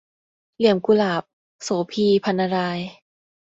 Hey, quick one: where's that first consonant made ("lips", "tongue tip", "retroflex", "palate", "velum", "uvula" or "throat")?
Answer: tongue tip